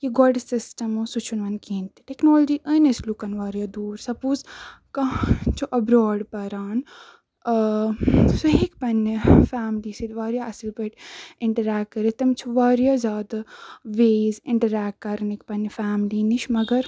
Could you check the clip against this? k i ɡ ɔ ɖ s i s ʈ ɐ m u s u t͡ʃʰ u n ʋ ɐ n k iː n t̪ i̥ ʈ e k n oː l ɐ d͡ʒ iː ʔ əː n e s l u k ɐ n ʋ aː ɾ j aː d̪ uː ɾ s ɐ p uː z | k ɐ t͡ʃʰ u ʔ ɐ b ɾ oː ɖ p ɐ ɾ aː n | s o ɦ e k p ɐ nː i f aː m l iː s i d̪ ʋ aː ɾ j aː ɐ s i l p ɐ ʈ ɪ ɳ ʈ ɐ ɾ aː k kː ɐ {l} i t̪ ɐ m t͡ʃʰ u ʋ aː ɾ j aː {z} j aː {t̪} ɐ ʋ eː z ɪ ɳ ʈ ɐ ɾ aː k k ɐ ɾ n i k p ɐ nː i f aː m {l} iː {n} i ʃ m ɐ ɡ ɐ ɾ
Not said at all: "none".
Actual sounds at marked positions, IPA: ɾ, z, d̪, l, n

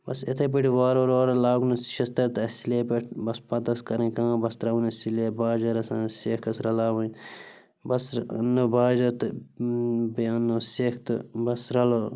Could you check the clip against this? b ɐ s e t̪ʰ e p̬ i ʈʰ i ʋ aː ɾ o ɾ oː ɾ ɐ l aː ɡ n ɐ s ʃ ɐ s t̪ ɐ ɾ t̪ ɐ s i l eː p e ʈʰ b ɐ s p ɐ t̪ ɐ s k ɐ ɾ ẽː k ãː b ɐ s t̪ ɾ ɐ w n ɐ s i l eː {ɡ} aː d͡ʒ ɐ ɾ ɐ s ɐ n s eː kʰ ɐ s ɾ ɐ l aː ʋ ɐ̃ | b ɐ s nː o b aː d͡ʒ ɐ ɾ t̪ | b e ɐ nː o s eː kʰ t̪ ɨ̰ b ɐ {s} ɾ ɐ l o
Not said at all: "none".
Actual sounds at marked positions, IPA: b, s

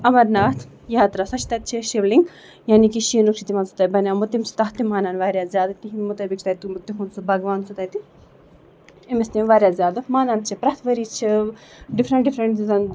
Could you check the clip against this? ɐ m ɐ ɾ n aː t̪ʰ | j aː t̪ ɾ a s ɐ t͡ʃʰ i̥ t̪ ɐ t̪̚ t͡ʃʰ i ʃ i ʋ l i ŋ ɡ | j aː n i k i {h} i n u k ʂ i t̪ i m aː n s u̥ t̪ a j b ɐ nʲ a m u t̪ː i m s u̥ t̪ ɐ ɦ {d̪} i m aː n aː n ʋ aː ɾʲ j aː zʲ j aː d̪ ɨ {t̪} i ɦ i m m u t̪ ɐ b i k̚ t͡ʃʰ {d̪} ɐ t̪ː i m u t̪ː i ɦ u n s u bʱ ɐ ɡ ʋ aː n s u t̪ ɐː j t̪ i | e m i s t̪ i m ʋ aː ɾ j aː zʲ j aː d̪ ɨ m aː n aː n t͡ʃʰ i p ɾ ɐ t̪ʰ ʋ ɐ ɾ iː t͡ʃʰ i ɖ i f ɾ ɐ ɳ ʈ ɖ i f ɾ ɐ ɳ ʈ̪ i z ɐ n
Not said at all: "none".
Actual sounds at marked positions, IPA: ʃ, t̪, t̪, t̪

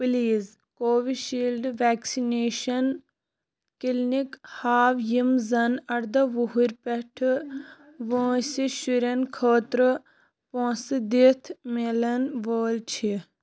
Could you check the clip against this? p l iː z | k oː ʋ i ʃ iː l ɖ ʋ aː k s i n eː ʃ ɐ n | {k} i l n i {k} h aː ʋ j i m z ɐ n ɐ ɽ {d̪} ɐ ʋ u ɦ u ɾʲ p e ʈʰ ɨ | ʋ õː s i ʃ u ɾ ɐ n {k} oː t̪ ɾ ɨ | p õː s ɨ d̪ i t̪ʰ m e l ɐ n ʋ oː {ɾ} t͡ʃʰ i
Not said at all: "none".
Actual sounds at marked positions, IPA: k, k, d̪, kʰ, l

